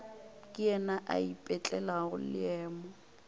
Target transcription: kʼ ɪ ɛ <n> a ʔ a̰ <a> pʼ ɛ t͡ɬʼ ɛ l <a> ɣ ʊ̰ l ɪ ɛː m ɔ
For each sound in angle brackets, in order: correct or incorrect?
correct, incorrect: i, correct

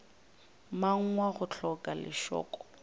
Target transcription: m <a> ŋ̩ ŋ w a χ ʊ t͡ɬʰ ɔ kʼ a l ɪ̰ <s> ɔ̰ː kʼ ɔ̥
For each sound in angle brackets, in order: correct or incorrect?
correct, incorrect: ʃ

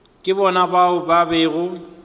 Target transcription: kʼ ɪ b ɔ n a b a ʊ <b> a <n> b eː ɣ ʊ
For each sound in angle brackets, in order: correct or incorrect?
correct, incorrect: none

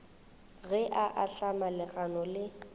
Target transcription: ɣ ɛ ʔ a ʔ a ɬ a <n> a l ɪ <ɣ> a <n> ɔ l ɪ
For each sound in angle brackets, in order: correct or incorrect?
incorrect: m, correct, correct

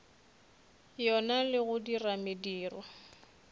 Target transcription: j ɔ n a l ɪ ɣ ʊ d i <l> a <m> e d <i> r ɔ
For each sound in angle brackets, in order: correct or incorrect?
incorrect: r, correct, incorrect: iː

